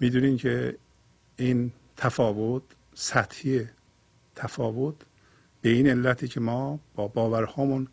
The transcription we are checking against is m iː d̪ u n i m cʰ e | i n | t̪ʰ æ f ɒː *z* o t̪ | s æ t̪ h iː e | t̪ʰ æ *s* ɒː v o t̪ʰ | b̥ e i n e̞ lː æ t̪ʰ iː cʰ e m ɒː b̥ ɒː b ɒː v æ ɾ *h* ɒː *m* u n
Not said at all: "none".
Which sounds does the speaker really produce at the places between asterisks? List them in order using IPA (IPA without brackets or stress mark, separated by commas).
v, f, h, m